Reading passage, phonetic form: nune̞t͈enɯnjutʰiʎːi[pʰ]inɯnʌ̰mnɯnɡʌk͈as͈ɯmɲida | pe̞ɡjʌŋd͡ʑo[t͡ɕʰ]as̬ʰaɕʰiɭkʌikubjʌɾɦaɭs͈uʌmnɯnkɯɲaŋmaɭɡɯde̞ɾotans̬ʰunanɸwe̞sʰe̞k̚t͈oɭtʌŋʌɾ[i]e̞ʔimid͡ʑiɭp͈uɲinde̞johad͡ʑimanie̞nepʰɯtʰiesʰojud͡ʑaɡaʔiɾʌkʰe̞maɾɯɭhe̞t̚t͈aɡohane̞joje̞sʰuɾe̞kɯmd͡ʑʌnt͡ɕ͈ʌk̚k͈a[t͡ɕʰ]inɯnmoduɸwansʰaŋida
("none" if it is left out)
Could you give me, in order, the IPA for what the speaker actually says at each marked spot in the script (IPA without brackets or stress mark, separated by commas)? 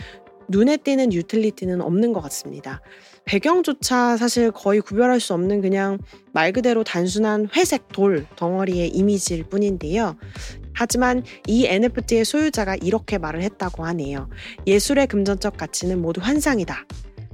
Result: tʰ, t͡ɕʰ, i, t͡ɕʰ